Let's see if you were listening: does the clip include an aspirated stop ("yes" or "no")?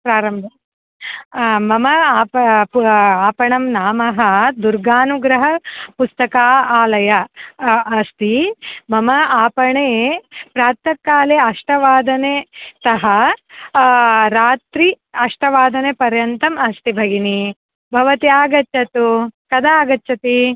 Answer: no